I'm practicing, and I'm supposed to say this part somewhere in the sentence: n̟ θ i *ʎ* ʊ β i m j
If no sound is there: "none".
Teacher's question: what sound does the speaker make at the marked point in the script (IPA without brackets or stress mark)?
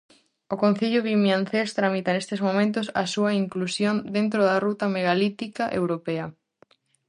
ʎ